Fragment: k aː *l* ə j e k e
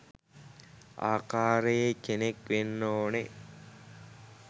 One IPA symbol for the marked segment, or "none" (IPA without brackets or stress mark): ɾ